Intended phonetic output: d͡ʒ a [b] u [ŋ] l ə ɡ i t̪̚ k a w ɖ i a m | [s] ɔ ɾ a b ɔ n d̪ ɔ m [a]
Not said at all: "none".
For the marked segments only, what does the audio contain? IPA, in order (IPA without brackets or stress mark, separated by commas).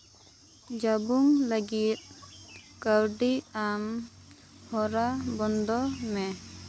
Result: b, ŋ, h, ɛ